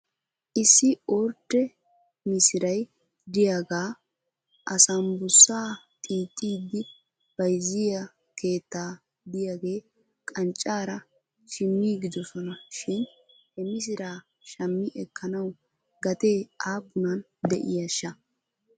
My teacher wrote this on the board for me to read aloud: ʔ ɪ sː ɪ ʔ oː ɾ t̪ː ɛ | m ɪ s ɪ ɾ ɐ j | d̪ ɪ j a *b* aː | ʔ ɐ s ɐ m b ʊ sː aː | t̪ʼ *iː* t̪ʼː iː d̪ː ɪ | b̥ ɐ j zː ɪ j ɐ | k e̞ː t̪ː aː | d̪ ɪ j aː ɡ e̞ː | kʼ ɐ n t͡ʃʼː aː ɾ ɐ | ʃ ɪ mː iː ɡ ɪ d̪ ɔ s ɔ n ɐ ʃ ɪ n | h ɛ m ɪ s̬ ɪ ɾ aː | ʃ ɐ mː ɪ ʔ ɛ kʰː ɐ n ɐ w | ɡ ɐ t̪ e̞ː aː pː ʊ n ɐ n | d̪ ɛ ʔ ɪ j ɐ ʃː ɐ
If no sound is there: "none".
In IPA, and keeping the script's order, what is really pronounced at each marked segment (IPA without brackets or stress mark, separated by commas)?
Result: ɡ, iː